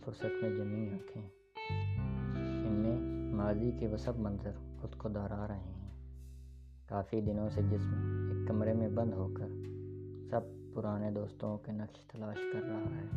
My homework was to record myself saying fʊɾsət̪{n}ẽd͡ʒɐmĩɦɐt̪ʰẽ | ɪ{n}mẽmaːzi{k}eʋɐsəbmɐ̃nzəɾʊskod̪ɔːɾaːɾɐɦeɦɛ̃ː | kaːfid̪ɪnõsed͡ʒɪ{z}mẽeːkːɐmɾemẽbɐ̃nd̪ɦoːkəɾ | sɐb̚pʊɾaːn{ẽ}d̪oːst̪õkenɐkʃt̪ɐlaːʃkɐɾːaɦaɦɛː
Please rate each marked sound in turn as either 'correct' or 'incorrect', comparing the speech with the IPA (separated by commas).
incorrect, correct, correct, incorrect, incorrect